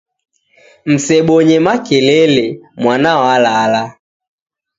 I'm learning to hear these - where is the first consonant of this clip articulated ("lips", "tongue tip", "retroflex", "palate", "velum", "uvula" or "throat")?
lips